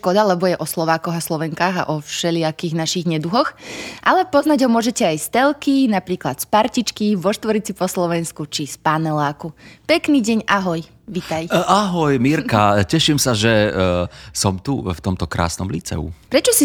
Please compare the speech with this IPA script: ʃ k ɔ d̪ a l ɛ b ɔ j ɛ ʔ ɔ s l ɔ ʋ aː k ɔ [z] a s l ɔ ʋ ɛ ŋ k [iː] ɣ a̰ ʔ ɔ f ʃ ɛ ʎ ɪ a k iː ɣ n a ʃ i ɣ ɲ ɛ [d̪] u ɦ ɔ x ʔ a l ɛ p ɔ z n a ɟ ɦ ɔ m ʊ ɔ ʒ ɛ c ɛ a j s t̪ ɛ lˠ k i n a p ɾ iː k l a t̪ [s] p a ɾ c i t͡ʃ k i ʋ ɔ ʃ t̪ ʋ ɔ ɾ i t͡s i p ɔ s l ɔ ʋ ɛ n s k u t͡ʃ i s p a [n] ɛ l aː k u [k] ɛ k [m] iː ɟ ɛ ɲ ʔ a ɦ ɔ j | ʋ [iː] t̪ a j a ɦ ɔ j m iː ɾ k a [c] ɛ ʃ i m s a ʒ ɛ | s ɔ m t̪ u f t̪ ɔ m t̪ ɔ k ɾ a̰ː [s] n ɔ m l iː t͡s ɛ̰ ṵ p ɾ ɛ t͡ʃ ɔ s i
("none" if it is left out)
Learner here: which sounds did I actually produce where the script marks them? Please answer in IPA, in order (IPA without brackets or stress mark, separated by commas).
ɣ, aː, d̪, s, n, p, n, i, c, s